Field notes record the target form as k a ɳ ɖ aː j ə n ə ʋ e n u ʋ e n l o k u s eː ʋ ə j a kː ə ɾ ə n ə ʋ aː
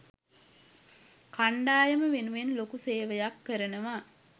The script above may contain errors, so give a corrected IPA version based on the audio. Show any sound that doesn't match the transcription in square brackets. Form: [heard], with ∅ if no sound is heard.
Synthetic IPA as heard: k a ɳ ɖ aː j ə [m] ə ʋ e n u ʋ e n l o k u s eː ʋ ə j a kː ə ɾ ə n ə ʋ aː